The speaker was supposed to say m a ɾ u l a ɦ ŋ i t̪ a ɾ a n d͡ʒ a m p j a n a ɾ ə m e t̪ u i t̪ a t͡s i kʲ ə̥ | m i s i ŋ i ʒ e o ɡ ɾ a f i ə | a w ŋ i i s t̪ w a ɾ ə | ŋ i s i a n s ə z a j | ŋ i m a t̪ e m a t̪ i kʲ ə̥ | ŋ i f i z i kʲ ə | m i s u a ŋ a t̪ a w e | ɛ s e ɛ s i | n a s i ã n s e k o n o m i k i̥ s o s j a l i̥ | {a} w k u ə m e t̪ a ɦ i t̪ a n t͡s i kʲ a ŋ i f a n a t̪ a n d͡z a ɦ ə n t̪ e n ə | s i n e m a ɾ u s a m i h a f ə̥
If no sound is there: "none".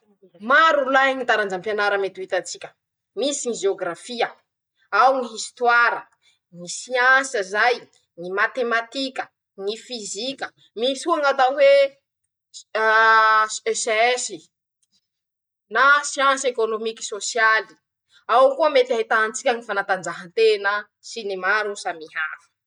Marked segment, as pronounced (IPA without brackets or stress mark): a